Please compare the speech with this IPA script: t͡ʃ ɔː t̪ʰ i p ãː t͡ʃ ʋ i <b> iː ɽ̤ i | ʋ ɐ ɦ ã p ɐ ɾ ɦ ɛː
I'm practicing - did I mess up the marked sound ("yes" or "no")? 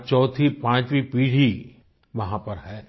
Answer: yes